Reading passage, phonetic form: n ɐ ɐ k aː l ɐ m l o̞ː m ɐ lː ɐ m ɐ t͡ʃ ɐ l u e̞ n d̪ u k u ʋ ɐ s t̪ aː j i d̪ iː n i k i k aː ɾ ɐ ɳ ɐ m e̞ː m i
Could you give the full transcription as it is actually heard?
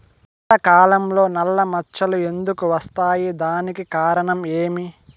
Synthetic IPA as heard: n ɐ ɐ k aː l ɐ m l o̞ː n ɐ lː ɐ m ɐ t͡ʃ ɐ l u e̞ n d̪ u k u ʋ ɐ s t̪ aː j i d̪ aː n i k i k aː ɾ ɐ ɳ ɐ m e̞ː m i